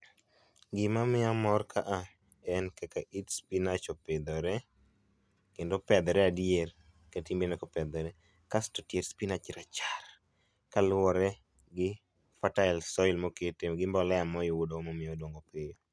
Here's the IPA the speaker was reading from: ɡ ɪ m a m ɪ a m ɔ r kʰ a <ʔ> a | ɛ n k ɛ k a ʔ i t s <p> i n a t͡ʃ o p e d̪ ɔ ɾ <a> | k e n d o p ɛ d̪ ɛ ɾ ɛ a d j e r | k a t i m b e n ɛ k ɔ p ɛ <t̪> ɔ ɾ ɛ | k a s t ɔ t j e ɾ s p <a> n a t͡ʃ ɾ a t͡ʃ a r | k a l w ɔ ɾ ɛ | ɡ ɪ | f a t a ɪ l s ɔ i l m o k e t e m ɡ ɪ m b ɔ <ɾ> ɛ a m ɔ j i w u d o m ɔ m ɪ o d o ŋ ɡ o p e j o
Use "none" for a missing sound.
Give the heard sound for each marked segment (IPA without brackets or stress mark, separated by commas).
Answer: ʔ, p, ɛ, d̪, i, l